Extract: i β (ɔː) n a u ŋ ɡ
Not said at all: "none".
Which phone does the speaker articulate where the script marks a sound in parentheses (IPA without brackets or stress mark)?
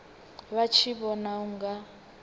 ɔ